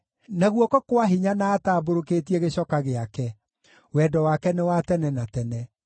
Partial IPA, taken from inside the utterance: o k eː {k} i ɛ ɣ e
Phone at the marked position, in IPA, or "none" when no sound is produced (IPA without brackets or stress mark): t